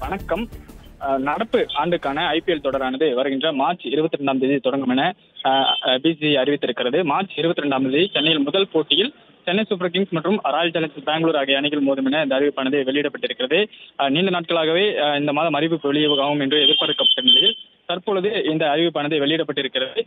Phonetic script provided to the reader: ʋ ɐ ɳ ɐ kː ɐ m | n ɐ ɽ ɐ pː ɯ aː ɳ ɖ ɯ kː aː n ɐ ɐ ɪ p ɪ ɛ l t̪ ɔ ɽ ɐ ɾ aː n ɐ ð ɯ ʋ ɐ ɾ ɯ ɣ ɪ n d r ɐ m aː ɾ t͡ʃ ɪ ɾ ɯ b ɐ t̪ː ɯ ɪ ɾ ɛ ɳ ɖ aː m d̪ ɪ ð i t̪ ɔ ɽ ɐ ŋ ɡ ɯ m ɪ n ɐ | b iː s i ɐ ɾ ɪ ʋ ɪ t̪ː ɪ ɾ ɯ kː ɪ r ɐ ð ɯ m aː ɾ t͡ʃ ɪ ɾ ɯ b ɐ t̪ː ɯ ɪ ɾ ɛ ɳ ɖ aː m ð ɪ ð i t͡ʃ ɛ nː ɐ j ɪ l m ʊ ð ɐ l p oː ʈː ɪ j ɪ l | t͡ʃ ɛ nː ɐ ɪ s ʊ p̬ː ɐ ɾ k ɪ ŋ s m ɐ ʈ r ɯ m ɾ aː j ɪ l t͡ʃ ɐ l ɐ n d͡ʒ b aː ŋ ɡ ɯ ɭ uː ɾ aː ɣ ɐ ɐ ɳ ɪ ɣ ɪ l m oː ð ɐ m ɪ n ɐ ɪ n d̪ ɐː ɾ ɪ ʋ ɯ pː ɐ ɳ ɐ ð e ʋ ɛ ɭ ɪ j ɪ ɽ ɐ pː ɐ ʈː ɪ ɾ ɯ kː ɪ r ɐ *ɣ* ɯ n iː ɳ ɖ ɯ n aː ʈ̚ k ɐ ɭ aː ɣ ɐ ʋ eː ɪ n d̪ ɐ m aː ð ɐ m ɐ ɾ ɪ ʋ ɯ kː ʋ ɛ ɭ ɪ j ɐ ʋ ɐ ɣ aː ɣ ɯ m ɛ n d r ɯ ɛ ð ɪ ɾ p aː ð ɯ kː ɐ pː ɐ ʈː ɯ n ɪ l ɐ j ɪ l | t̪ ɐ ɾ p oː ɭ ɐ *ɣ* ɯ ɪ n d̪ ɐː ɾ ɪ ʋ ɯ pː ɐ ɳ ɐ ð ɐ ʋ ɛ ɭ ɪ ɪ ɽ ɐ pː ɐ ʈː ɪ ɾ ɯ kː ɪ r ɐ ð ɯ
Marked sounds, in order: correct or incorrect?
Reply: incorrect, incorrect

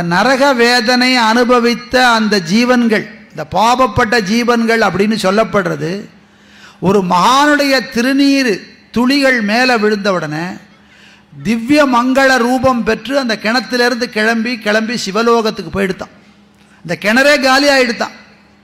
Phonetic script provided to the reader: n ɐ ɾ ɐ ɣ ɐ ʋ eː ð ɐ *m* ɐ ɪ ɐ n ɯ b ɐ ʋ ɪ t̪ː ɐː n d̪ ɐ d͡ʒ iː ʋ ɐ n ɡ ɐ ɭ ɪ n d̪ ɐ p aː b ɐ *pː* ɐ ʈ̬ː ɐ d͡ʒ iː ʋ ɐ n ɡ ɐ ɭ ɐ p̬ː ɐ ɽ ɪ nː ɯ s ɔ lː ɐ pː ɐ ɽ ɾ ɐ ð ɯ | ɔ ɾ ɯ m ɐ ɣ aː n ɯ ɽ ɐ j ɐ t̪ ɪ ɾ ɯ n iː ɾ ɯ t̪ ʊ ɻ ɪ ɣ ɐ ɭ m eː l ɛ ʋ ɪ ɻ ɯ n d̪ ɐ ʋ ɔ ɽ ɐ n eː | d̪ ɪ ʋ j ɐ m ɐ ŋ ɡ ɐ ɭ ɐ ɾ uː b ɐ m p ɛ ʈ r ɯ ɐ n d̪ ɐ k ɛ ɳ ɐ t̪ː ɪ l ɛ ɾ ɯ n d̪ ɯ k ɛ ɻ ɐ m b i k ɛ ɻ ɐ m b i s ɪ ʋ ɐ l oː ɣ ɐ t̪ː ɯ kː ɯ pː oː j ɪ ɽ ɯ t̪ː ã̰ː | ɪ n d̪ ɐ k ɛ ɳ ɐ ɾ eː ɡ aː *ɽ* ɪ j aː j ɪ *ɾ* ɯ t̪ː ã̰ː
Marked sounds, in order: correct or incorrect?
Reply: incorrect, correct, incorrect, incorrect

